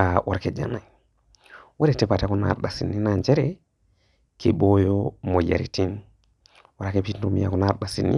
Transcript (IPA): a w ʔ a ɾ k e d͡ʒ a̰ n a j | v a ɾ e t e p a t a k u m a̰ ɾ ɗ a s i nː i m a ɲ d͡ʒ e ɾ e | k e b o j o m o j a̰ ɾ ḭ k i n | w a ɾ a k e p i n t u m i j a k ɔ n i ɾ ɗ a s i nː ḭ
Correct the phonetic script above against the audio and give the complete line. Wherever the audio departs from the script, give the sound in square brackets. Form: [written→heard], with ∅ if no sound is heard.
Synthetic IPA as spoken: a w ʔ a ɾ k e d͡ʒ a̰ n a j | [v→w] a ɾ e t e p a t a k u [m→n] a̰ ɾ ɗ a s i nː i [m→n] a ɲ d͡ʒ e ɾ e | k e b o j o m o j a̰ ɾ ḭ [k→t] i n | w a ɾ a k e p i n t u m i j a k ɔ n [i→a] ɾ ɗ a s i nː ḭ